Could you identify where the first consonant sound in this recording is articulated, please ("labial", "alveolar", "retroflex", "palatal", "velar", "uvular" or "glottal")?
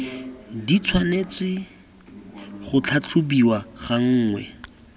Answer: alveolar